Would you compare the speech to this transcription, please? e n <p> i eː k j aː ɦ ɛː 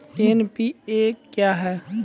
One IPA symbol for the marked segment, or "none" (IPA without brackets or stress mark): p